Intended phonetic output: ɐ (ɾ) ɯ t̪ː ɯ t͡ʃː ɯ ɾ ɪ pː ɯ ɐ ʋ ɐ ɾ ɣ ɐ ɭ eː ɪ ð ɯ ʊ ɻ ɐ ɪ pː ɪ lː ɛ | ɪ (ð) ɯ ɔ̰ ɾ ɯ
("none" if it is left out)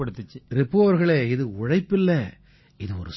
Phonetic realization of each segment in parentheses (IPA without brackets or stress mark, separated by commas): ɽ, ð